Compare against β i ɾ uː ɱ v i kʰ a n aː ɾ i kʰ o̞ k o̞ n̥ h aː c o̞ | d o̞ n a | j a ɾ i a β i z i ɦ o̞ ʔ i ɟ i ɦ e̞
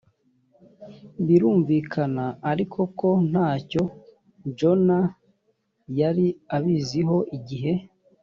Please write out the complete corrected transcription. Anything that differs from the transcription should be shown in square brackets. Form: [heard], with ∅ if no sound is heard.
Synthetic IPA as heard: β i ɾ uː ɱ v i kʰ a n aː ɾ i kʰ o̞ k o̞ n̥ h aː c o̞ | [d͡ʒ] o̞ n a | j a ɾ i a β i z i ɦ o̞ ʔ i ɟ i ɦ e̞